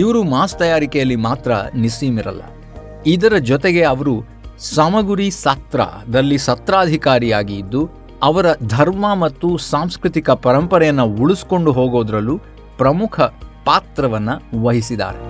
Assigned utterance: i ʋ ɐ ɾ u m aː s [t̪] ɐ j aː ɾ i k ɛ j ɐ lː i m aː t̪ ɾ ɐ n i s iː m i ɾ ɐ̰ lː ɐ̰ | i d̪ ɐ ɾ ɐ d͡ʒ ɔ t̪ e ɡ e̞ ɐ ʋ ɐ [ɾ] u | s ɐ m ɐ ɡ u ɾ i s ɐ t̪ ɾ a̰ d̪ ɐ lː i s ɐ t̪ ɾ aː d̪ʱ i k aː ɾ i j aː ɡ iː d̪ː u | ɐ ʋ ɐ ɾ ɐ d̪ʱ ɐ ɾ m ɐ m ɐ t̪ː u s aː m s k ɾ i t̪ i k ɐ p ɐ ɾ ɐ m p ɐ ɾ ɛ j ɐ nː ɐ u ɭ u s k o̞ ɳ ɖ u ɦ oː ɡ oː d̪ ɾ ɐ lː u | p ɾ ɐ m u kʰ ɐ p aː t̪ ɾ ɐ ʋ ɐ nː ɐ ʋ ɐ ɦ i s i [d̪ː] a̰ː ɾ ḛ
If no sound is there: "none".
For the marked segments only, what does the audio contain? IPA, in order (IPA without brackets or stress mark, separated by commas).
t̪, ɾ, d̪